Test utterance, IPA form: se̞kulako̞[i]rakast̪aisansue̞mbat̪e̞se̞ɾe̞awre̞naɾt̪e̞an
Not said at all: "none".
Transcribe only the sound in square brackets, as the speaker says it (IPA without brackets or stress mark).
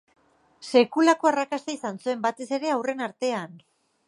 a